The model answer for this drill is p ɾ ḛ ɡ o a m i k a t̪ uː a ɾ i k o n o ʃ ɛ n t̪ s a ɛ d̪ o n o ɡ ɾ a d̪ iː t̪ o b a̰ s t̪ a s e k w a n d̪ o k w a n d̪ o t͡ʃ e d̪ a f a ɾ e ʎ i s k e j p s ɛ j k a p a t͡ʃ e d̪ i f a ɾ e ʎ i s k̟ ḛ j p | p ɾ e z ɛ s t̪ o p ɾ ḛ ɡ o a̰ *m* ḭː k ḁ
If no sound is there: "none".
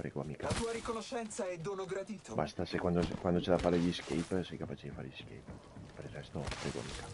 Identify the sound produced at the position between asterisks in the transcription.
m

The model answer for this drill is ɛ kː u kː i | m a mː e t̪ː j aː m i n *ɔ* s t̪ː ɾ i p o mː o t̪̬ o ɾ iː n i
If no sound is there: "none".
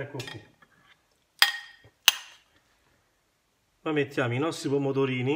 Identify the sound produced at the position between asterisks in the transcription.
ɔ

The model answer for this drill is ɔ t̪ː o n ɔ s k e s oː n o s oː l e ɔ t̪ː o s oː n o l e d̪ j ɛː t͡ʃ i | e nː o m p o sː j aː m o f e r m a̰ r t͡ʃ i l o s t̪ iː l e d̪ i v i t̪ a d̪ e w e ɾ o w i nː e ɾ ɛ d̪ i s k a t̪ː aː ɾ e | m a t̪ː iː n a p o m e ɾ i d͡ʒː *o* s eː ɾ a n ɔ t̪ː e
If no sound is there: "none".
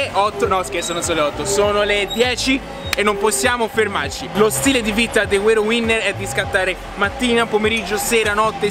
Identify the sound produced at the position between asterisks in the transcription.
o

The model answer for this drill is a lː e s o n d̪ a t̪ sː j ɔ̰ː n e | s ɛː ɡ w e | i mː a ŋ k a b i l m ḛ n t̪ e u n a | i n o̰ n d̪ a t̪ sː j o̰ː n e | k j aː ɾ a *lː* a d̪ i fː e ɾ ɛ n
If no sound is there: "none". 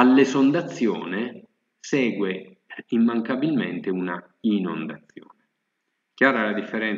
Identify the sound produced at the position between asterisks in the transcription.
l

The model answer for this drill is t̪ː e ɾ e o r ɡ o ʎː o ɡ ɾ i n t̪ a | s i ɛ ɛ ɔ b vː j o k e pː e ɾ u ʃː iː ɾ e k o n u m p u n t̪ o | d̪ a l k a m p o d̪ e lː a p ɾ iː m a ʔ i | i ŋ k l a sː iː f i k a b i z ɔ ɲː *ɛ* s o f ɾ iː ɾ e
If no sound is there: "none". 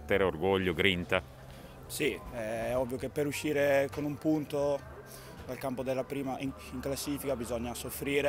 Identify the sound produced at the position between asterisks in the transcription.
a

